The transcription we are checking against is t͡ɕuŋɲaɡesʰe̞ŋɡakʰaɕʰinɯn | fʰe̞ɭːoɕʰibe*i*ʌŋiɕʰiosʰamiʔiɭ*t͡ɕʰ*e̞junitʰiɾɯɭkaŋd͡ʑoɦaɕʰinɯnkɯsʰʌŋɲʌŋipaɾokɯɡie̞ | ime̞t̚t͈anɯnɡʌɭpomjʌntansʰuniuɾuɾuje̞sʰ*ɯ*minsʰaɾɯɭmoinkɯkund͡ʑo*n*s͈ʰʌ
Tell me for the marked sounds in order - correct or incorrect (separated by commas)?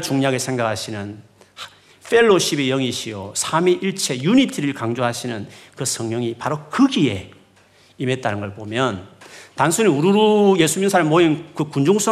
incorrect, correct, incorrect, incorrect